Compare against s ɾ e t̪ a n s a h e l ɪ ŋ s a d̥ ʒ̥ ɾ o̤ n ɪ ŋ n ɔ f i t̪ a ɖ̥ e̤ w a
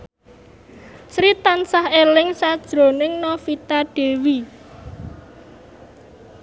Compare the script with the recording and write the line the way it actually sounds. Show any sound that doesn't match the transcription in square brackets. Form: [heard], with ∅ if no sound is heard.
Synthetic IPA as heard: s ɾ [i] t̪ a n s a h e l ɪ ŋ s a d̥ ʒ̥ ɾ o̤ n ɪ ŋ n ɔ f i t̪ a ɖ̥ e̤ w [i]